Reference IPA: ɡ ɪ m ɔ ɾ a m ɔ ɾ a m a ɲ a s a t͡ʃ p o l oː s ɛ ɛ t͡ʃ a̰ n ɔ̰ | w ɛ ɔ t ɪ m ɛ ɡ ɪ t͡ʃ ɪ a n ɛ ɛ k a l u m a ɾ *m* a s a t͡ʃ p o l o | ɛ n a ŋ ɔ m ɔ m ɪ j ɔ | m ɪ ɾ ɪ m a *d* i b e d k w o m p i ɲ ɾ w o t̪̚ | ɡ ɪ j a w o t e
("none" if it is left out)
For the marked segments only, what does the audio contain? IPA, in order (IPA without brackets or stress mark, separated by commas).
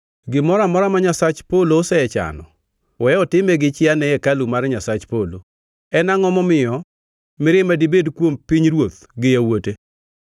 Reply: ɲ, d